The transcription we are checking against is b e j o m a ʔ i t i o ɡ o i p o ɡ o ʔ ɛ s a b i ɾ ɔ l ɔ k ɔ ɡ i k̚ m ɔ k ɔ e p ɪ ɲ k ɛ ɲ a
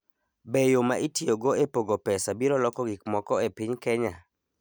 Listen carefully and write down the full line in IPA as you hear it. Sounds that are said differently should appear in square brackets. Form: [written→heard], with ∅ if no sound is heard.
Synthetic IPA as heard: b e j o m a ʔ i t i o ɡ o [i→e] p o ɡ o [ʔ→p] ɛ s a b i ɾ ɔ l ɔ k ɔ ɡ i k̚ m ɔ k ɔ e p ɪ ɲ k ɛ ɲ a